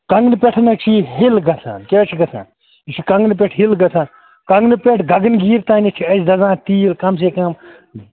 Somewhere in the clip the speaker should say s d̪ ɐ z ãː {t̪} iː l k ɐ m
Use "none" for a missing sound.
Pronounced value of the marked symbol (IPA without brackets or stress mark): t̪